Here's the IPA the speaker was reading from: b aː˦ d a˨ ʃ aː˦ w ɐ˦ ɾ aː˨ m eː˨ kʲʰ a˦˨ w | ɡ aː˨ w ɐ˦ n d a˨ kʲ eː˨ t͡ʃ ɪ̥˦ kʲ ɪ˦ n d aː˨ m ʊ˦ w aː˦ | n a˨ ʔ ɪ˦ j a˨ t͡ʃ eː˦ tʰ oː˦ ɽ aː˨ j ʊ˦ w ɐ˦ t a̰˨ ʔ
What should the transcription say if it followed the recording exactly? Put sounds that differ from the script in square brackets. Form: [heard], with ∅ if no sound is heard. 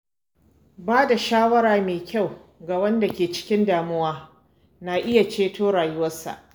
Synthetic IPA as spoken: b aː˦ d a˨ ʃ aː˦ w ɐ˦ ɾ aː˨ m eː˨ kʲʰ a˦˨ w | ɡ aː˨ w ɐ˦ n d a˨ kʲ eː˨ t͡ʃ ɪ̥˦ kʲ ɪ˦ n d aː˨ m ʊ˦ w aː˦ | n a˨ ʔ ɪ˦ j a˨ t͡ʃ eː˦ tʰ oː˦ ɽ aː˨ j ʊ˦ w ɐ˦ [s] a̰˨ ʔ